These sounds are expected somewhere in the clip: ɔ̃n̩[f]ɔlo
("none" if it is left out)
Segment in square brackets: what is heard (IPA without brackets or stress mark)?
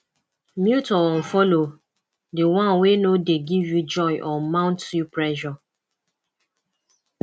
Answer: f